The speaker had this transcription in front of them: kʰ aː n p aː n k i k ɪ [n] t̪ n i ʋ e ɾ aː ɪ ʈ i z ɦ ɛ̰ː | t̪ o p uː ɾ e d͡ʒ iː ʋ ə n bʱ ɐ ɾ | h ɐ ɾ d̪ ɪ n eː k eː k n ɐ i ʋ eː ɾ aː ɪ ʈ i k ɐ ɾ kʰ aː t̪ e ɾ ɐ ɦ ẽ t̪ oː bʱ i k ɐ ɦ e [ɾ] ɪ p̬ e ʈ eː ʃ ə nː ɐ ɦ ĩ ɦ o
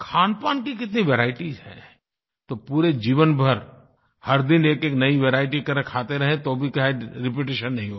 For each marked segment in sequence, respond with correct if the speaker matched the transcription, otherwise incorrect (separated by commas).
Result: incorrect, correct